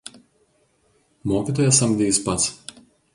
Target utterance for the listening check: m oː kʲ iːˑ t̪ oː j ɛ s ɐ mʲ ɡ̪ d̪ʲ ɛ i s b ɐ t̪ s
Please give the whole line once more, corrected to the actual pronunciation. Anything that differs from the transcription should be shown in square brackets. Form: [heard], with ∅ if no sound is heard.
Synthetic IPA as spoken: m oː kʲ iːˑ t̪ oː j ɛ s ɐ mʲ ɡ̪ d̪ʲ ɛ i s [p] ɐ t̪ s